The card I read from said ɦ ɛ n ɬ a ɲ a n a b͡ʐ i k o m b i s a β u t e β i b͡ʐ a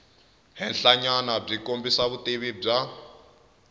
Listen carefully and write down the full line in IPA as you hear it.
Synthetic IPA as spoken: ɦ ɛ n ɬ a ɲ a n a b͡ʐ i k o m b i s a β u t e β i b͡ʐ a